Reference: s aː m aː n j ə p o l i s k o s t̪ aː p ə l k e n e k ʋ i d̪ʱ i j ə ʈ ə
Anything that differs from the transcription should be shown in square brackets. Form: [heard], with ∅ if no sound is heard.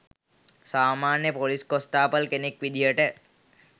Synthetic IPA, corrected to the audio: s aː m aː n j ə p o l i s k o s t̪ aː p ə l k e n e k ʋ i d̪ʱ i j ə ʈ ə